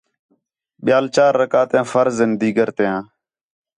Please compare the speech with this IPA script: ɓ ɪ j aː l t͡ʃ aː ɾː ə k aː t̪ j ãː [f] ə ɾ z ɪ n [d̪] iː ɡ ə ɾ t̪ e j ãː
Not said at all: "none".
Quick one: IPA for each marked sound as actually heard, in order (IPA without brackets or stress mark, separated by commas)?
f, d̪